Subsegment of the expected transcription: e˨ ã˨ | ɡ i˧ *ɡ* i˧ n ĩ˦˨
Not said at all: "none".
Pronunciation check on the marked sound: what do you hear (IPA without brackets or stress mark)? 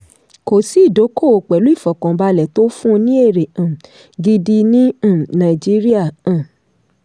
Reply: d